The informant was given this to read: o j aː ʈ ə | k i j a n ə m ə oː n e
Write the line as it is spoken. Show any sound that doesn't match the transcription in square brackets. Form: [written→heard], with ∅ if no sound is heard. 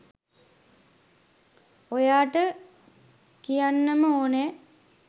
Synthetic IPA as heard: o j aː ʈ ə | k i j a [n→nː] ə m ə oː n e